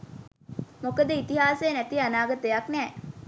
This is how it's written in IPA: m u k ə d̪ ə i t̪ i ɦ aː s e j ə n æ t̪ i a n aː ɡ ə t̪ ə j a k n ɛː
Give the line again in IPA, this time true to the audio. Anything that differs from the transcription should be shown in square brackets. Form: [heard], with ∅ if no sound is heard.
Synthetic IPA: m [o] k ə d̪ ə i t̪ i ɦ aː s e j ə n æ t̪ i a n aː ɡ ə t̪ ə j a k n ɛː